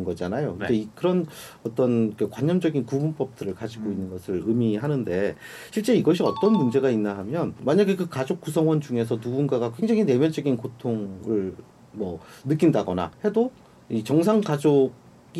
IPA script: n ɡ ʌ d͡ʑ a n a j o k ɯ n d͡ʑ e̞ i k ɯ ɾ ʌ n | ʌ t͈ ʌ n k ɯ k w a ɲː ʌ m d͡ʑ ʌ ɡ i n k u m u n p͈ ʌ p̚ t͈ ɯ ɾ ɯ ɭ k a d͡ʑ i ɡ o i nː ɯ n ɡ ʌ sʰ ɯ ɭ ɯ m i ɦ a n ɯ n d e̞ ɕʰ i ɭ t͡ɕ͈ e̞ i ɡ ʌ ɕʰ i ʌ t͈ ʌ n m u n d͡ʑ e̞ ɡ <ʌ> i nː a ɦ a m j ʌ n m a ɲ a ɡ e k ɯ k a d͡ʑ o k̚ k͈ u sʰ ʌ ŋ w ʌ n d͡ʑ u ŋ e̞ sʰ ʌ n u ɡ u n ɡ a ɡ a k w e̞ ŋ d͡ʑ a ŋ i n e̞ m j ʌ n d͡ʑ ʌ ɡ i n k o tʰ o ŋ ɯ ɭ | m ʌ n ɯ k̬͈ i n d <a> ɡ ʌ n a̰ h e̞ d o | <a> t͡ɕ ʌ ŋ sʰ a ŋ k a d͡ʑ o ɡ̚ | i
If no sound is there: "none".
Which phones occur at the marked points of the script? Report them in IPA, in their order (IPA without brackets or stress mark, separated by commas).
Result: a, a, i